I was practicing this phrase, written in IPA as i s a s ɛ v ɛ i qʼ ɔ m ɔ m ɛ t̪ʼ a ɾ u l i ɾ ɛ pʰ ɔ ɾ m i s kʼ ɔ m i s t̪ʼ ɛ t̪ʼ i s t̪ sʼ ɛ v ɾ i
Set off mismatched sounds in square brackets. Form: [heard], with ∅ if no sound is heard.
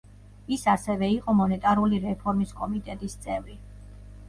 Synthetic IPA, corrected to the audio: i s a s ɛ v ɛ i qʼ ɔ m ɔ [n] ɛ t̪ʼ a ɾ u l i ɾ ɛ pʰ ɔ ɾ m i s kʼ ɔ m i [∅] t̪ʼ ɛ t̪ʼ i s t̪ sʼ ɛ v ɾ i